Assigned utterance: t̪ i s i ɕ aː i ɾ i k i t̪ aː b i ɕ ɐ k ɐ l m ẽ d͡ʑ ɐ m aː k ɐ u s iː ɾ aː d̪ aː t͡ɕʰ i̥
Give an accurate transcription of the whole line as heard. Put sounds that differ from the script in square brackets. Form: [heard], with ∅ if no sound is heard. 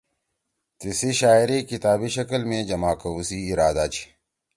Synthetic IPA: t̪ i s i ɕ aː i ɾ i k i t̪ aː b i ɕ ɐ k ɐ l m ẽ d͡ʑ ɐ m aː k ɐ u s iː ɾ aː d̪ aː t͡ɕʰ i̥